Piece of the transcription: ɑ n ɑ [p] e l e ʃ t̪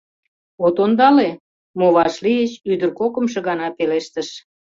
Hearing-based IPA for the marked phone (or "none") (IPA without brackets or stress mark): p